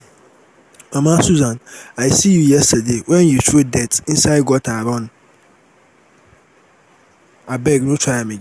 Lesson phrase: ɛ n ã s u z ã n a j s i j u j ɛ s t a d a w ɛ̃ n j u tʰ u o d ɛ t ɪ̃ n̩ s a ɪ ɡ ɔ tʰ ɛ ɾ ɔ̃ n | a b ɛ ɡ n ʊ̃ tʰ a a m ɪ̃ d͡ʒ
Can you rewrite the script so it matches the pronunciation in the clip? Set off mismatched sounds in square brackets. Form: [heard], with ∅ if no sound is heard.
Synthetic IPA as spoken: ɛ [m] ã s u z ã n a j s i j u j ɛ s t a d [e] w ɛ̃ n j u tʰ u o d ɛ t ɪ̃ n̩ s a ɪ ɡ ɔ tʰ [a] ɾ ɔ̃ n | a b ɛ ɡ n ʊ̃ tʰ a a m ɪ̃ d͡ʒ